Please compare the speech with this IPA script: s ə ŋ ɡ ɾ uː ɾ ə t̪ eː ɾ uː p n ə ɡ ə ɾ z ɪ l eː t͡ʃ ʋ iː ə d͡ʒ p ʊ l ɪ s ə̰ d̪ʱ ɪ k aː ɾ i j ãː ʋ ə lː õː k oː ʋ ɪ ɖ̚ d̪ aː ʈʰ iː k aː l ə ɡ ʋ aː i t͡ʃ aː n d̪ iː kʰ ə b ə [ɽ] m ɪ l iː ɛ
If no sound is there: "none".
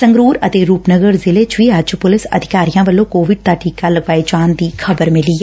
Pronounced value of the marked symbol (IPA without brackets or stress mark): ɾ